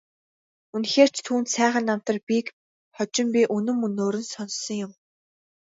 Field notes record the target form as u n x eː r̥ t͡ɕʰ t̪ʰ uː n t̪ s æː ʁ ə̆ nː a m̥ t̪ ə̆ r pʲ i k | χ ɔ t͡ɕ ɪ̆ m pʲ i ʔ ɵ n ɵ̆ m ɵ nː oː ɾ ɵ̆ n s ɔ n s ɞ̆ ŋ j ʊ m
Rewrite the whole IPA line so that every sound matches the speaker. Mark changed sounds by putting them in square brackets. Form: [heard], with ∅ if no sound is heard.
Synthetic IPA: u n x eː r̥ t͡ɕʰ t̪ʰ uː n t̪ s æː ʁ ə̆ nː a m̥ t̪ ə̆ r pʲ i k | χ ɔ t͡ɕ ɪ̆ m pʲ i ʔ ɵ n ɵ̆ m ɵ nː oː ɾ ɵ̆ n s ɔ n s ɞ̆ ŋ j ʊ m